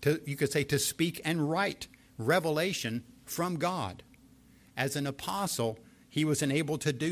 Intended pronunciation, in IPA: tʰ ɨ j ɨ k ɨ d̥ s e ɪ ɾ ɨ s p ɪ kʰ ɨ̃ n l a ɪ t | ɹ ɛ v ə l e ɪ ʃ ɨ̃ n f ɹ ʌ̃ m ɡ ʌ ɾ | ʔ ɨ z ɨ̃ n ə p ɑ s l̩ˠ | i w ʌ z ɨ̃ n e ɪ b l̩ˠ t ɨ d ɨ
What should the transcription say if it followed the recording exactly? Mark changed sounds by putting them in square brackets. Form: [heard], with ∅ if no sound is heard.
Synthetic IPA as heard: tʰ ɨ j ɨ k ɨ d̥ s e ɪ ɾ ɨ s p [i] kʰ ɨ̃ n [ɹ] a ɪ t | ɹ ɛ v ə l e ɪ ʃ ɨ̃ n f ɹ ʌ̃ m ɡ [ɑ] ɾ | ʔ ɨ z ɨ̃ n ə [pʰ] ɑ s l̩ˠ | i w ʌ z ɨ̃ n e ɪ b l̩ˠ [tʰ] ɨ d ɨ